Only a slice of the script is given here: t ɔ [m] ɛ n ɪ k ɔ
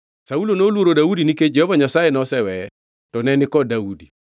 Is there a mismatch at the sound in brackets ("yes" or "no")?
yes